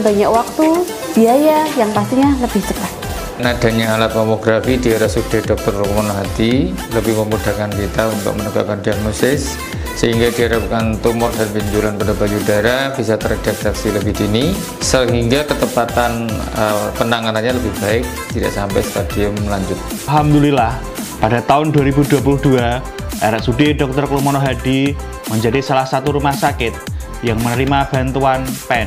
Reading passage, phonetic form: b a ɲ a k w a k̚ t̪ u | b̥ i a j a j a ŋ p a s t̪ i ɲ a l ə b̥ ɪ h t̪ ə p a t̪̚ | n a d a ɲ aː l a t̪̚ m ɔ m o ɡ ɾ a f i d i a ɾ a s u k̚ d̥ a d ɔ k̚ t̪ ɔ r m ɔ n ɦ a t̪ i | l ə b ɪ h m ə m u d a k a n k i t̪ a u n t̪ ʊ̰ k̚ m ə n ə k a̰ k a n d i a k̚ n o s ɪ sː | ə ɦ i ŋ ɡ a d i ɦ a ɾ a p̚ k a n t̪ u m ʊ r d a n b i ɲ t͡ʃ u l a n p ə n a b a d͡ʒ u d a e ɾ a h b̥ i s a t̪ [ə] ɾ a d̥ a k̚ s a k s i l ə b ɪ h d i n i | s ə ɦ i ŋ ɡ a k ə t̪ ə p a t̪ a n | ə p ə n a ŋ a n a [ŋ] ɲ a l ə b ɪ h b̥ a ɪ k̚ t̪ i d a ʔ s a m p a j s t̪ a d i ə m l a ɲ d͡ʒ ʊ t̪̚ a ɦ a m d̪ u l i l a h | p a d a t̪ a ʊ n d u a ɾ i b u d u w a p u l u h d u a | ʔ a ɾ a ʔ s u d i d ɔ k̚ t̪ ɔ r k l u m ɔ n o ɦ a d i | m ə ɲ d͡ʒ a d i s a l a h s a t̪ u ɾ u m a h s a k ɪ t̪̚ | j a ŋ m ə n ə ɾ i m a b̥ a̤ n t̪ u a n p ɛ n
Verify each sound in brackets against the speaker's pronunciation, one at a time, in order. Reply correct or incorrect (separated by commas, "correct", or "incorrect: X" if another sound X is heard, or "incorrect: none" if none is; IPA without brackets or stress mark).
correct, incorrect: n